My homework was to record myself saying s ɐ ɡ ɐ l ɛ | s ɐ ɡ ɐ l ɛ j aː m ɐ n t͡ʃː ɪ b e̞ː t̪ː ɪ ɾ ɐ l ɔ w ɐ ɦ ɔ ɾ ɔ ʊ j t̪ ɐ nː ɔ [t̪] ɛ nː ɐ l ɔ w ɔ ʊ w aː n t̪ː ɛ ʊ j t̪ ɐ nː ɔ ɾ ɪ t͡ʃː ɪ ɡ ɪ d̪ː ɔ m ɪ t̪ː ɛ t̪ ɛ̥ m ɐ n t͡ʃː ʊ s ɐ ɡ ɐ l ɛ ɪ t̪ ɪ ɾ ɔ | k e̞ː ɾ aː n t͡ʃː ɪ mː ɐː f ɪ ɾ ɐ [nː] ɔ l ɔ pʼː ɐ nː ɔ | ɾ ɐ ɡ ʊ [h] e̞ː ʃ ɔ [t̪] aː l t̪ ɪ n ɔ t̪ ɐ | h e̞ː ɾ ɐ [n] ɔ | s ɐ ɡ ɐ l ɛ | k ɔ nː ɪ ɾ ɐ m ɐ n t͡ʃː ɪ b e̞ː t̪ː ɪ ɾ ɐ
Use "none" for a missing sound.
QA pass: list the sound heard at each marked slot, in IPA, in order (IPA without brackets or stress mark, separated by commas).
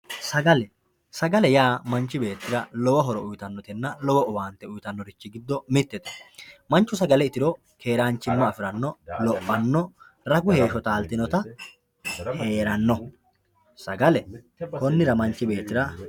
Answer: t̪, nː, h, t̪, nː